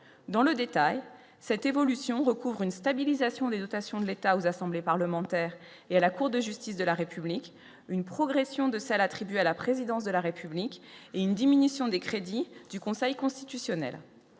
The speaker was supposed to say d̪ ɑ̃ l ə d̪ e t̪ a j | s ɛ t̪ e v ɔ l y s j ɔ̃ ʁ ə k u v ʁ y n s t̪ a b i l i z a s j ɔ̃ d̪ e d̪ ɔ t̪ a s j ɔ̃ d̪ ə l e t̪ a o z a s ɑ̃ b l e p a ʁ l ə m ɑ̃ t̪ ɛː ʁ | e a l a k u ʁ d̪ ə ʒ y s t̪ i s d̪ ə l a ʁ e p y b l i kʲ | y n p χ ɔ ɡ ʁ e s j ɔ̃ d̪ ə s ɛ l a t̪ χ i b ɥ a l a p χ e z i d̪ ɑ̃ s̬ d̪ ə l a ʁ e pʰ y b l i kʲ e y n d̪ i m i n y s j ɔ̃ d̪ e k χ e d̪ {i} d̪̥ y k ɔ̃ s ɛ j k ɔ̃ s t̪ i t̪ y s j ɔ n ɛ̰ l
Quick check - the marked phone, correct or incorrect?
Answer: correct